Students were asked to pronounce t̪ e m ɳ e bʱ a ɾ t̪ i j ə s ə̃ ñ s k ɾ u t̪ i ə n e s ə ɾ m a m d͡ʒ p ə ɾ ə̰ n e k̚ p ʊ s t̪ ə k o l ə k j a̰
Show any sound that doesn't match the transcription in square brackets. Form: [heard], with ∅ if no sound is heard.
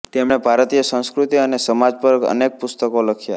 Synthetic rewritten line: t̪ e m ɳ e bʱ a ɾ t̪ i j ə s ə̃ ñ s k ɾ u t̪ i ə n e s ə [∅] m a [∅] d͡ʒ p ə ɾ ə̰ n e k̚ p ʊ s t̪ ə k o l ə [kʰ] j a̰